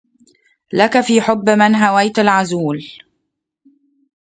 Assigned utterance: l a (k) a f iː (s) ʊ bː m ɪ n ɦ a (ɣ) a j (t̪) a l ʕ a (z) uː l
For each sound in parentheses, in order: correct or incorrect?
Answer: correct, incorrect, incorrect, correct, correct

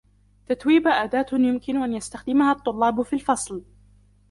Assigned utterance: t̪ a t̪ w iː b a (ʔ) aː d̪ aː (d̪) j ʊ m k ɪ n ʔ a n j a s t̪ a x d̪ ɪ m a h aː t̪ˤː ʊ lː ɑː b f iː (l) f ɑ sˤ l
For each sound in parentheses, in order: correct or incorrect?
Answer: correct, incorrect, correct

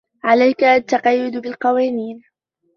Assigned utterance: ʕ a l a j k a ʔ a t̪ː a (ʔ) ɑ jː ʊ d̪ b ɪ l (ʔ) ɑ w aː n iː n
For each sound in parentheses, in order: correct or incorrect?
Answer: incorrect, incorrect

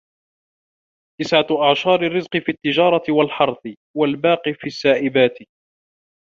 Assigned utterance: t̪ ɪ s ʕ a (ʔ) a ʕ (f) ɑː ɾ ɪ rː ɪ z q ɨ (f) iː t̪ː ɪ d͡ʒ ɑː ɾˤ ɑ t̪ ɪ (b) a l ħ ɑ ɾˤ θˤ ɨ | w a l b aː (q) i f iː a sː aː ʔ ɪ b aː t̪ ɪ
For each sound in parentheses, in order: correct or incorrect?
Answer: correct, incorrect, correct, incorrect, correct

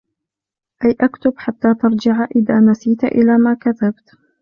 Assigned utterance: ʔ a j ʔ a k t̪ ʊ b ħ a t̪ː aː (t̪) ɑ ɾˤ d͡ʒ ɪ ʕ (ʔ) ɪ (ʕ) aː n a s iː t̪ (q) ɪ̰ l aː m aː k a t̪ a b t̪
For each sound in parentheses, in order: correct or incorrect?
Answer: correct, correct, incorrect, incorrect

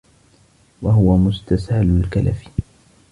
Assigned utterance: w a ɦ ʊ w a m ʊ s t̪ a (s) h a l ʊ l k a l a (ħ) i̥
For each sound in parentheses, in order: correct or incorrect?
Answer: correct, incorrect

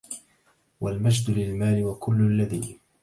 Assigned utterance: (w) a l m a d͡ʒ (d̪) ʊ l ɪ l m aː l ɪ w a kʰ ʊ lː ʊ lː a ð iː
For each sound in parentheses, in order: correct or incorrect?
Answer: correct, correct

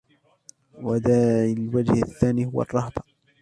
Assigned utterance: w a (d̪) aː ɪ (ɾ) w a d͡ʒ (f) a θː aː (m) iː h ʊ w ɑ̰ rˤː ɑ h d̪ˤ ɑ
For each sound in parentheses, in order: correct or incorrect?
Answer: correct, incorrect, incorrect, incorrect

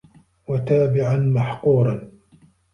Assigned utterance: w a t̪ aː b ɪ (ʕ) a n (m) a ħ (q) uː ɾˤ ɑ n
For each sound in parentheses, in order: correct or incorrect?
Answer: correct, correct, correct

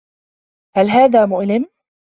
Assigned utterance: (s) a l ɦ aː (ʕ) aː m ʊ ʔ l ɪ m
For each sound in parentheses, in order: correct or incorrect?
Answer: incorrect, incorrect

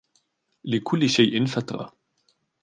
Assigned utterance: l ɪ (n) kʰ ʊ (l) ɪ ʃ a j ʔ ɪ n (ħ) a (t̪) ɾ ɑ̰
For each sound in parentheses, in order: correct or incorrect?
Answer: incorrect, incorrect, incorrect, correct

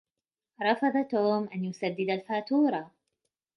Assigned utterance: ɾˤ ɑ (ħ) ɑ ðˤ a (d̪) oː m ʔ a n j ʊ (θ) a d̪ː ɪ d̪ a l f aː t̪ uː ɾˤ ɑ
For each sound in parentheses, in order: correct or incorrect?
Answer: incorrect, incorrect, incorrect

